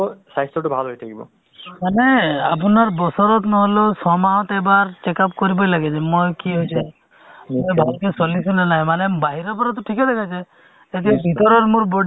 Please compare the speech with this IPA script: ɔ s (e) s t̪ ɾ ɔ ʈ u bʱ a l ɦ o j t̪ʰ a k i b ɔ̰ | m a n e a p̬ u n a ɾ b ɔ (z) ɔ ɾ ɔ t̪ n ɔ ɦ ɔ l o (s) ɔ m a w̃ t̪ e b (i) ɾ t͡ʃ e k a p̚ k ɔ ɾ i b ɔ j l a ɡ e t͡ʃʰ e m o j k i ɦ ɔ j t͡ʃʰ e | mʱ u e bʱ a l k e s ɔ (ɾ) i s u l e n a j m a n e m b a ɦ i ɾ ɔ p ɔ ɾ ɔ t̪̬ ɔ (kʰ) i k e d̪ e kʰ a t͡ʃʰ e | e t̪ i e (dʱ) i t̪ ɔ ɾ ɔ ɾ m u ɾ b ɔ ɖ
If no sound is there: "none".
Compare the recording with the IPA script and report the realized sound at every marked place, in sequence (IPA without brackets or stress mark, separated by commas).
a, s, s, a, l, ʈʰ, bʱ